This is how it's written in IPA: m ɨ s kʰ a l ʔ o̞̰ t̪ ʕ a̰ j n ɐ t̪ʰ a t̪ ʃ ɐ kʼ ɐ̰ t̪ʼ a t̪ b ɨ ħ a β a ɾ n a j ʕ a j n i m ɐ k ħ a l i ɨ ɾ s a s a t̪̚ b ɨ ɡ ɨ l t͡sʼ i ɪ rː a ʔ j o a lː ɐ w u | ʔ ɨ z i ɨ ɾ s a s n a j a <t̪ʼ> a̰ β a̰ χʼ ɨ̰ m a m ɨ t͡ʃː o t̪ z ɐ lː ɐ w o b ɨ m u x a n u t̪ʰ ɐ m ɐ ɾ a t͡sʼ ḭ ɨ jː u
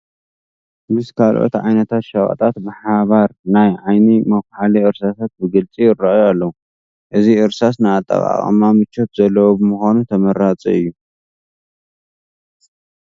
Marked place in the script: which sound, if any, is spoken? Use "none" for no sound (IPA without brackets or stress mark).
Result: t̪ʼ